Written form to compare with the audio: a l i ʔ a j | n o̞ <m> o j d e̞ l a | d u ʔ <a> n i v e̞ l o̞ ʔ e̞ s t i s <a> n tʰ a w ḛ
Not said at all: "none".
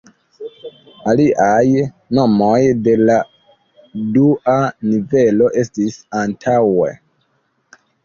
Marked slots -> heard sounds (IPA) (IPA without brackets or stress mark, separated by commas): m, a, a